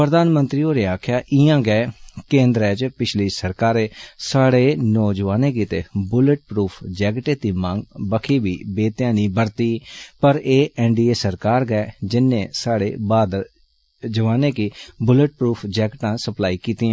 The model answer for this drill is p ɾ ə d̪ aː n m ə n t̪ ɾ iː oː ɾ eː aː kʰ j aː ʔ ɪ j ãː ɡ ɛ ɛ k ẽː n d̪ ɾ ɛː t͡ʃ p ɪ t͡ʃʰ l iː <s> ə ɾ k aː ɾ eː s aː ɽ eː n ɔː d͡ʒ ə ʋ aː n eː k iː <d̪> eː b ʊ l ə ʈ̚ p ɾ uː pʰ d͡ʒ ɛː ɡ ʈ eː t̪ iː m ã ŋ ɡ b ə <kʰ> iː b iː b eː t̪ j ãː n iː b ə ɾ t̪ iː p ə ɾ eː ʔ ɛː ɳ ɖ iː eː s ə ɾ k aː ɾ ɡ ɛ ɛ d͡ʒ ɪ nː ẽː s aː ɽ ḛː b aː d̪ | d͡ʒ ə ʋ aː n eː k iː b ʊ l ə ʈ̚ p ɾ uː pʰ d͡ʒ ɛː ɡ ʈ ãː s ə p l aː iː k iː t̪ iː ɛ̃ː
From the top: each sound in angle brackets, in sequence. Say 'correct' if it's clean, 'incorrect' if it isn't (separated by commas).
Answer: correct, incorrect, correct